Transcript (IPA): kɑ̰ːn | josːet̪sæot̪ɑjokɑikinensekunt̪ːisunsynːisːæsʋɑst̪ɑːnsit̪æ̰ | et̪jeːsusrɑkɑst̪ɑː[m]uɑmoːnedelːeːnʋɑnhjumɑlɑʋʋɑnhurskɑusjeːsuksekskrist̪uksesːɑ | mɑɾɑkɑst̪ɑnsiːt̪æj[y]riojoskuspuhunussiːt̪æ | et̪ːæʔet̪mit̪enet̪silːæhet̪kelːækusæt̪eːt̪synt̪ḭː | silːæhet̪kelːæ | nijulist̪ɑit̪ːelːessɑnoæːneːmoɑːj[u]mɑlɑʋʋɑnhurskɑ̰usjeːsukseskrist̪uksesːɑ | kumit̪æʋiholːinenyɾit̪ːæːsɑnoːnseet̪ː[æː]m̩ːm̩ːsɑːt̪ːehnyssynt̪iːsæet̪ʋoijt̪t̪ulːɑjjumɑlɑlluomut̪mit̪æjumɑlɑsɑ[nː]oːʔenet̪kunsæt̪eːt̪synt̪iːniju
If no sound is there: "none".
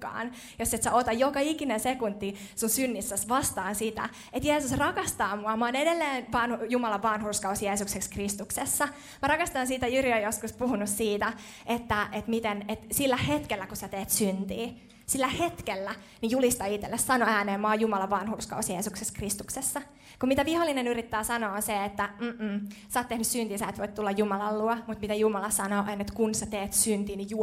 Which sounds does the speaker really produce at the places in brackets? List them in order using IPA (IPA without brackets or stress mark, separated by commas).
m, y, u, æ, n